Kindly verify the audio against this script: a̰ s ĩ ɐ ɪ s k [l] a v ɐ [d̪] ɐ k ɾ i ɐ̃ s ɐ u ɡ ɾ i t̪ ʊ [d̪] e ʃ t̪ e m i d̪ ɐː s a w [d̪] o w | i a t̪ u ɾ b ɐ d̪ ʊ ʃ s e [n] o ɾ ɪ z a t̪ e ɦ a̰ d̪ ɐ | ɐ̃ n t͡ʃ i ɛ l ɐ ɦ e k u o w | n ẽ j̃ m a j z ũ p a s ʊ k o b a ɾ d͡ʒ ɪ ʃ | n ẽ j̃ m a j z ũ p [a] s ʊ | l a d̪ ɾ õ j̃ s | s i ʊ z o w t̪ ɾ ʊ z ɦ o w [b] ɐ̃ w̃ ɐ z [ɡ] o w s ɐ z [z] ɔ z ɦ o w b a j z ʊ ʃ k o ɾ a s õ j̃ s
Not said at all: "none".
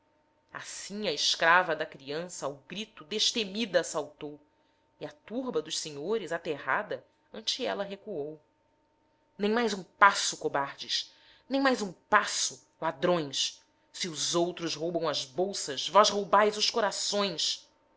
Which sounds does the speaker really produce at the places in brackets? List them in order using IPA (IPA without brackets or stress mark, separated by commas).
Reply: ɾ, d̪, d̪, t̪, ɲ, a, b, b, v